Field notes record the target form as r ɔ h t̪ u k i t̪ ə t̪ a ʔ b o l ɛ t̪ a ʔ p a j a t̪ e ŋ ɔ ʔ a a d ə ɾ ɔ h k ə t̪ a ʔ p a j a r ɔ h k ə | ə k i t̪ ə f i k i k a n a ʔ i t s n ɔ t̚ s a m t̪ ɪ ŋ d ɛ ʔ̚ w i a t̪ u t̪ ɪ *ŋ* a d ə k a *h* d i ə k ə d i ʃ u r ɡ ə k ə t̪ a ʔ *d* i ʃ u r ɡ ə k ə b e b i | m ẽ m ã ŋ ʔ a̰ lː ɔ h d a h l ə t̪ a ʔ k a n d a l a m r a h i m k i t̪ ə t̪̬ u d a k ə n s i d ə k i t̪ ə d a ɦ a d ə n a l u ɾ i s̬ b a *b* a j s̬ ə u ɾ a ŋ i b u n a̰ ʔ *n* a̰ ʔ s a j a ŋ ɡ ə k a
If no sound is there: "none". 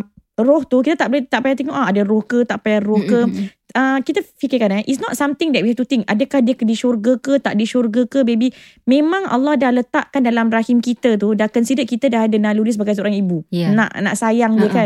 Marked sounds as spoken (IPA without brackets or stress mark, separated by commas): ŋ, h, d, ɡ, n